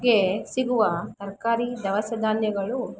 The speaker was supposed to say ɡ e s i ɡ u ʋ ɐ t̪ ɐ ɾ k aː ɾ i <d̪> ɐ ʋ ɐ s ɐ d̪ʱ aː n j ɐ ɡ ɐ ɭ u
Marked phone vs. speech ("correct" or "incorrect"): correct